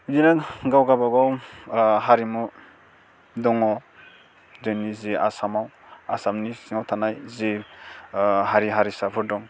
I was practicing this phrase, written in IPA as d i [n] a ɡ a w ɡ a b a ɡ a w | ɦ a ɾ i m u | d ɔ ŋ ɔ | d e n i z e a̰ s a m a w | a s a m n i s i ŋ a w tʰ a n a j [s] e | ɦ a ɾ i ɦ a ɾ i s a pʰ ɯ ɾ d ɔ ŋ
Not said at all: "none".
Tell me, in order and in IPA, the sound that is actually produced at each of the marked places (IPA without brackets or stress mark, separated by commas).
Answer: n, z